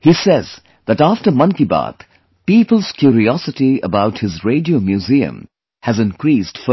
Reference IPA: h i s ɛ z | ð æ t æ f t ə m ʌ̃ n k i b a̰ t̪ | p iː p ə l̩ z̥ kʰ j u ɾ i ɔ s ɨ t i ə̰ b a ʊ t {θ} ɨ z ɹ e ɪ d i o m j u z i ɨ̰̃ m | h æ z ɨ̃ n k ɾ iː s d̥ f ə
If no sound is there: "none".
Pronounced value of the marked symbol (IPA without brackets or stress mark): h